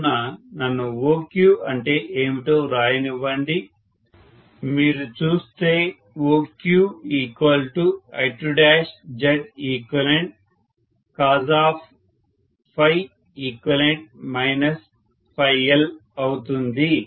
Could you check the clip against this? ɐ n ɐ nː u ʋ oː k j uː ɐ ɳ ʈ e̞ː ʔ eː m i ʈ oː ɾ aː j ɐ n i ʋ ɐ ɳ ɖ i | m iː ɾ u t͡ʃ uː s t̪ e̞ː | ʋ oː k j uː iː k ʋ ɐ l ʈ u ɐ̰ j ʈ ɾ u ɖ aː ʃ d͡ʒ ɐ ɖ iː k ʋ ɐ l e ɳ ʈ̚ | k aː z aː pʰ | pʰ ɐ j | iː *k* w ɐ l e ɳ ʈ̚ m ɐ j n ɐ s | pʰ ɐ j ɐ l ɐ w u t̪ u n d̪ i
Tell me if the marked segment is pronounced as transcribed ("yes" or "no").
yes